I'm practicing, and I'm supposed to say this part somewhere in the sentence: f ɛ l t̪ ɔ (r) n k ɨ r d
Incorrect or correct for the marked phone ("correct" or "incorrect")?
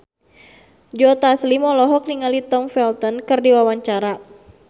incorrect